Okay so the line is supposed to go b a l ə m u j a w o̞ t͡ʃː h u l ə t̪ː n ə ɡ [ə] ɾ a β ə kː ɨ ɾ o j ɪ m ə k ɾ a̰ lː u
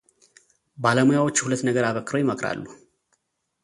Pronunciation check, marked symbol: correct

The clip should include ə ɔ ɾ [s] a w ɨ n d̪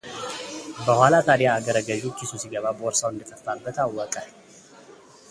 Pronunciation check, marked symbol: correct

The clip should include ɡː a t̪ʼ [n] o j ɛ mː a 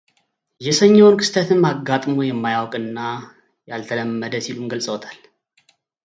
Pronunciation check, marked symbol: incorrect: m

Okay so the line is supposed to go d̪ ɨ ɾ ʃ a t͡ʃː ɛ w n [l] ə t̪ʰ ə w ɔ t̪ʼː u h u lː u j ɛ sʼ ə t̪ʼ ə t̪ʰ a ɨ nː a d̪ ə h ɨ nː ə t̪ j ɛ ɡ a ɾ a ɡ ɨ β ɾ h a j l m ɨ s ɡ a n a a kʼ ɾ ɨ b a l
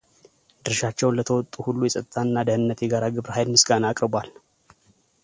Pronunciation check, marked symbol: correct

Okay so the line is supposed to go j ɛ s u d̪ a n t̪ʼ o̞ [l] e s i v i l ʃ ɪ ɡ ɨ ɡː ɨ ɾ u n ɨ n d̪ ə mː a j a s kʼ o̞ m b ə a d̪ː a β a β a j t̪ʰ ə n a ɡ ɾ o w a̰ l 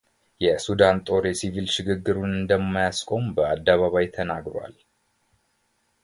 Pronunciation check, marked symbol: incorrect: ɾ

